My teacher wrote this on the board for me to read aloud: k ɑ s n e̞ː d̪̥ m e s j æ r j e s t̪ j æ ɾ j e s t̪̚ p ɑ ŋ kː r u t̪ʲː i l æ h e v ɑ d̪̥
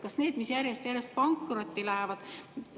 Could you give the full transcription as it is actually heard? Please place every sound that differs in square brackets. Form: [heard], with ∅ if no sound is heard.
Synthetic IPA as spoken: k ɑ s n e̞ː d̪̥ m [i] s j æ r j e s t̪ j æ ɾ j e s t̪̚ p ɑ ŋ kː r [o] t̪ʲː i l æ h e v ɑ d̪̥